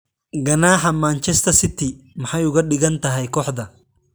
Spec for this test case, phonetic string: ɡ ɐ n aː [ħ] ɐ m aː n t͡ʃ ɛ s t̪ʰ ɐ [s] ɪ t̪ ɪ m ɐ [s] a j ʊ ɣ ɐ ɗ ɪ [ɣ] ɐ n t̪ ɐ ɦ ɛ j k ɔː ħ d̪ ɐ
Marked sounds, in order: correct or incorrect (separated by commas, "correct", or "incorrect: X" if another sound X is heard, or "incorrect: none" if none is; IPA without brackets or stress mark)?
correct, correct, incorrect: ħ, correct